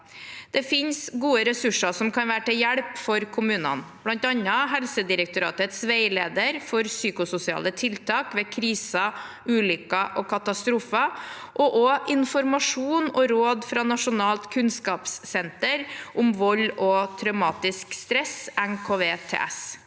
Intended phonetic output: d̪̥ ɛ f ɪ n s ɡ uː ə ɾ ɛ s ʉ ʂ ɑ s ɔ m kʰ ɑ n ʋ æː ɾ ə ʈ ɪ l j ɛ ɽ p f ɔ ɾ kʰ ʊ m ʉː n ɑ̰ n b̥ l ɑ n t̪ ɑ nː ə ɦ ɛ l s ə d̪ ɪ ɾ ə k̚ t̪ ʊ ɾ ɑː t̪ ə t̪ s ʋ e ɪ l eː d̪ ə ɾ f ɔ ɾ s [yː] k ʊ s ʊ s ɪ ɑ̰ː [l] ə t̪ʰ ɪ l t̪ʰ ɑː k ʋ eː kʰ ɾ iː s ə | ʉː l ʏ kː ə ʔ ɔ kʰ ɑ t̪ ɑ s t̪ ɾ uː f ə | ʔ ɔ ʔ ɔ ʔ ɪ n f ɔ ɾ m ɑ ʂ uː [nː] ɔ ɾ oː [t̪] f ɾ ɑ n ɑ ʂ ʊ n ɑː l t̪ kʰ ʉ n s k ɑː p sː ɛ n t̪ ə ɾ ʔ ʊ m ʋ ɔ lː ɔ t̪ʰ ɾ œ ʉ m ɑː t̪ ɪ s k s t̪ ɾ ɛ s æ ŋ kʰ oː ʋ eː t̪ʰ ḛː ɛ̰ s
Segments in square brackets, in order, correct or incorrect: correct, correct, incorrect: n, incorrect: d̪

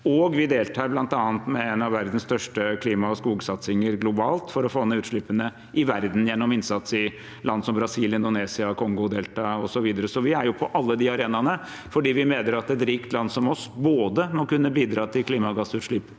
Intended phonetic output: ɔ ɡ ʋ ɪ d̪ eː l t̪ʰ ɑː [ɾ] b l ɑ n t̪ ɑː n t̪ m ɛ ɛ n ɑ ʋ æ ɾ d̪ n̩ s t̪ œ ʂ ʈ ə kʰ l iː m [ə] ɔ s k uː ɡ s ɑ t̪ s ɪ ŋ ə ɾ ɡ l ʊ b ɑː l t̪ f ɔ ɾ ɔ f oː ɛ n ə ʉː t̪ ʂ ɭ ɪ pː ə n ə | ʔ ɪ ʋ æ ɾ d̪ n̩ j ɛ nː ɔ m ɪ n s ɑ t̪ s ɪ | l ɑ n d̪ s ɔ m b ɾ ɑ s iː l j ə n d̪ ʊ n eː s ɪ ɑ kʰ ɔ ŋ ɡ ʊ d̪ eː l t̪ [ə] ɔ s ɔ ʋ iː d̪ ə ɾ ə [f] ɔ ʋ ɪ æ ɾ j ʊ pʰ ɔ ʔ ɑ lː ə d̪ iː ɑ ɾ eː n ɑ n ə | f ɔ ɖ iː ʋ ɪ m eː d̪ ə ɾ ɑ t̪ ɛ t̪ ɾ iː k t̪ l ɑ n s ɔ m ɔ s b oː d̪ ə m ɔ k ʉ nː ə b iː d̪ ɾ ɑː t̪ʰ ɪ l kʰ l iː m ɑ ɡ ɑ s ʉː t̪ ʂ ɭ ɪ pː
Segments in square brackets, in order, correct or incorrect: correct, incorrect: ɑ, incorrect: ɑ, incorrect: s

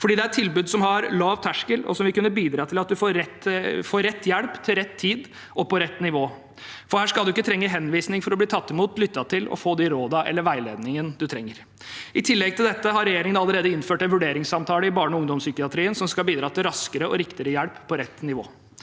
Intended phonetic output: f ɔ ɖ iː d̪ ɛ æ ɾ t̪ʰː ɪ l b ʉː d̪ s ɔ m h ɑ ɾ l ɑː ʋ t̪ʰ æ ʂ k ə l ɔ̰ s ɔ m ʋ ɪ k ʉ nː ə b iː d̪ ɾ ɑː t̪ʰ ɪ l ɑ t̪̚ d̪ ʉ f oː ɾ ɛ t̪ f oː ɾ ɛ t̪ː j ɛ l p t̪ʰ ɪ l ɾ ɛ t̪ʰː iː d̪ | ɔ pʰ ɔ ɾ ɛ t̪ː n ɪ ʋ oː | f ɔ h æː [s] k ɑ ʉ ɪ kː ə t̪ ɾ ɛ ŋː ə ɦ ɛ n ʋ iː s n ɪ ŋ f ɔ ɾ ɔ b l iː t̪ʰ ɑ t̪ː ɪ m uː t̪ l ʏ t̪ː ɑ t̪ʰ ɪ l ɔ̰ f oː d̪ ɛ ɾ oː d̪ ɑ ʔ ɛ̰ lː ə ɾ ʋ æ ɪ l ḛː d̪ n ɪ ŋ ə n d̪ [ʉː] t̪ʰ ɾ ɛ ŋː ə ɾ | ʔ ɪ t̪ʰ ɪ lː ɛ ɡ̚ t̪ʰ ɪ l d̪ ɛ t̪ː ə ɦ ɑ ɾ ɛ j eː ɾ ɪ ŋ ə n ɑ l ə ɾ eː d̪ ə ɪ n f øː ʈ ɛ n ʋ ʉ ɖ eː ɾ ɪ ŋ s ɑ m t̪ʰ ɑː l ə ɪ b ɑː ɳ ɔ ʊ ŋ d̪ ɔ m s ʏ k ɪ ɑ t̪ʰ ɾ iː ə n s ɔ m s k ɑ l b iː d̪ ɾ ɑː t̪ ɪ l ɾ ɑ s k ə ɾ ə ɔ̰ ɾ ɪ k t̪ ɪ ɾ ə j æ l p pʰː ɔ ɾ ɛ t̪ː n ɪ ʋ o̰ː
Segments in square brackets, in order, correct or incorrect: incorrect: ʂ, incorrect: ʉ

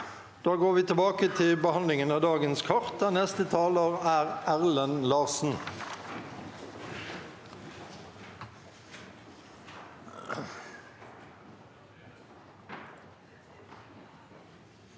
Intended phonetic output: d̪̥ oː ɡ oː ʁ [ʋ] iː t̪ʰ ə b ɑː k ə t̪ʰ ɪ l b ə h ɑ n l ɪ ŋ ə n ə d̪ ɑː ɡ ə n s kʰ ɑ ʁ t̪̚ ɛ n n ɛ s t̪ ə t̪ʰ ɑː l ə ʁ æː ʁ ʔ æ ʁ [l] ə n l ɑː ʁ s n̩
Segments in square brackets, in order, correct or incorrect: correct, correct

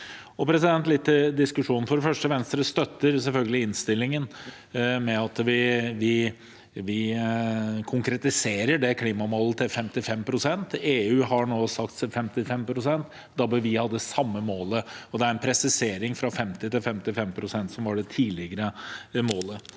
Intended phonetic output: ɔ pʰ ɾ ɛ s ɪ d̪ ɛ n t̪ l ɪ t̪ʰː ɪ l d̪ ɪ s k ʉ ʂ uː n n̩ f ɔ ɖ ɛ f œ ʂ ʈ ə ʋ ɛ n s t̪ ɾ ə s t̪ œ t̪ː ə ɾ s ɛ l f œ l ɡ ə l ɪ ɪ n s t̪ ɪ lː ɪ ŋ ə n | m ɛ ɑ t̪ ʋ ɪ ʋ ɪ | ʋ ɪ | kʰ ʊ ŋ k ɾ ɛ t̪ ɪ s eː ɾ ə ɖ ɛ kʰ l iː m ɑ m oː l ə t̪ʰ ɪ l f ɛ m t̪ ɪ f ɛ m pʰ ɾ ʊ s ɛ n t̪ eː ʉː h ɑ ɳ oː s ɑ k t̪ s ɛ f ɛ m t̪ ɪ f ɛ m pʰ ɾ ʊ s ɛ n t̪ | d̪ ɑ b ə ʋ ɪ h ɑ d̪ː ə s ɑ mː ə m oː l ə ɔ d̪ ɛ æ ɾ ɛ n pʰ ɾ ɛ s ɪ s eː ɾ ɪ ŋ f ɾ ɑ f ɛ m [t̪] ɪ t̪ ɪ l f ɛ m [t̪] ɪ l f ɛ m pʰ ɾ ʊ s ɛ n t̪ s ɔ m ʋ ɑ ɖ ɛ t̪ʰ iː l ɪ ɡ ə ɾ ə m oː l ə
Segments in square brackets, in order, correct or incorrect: correct, correct

